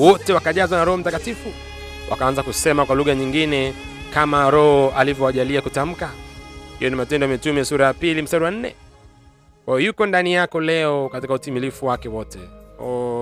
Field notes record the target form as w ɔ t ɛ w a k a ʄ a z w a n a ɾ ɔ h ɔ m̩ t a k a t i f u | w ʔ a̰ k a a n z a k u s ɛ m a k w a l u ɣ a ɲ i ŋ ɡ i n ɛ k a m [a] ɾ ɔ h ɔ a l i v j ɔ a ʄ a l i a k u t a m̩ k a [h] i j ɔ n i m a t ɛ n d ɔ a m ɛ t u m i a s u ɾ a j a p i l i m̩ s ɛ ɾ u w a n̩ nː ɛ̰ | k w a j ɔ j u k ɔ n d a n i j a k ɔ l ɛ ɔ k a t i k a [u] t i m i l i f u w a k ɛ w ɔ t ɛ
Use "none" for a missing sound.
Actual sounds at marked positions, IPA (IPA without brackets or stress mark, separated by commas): a, h, u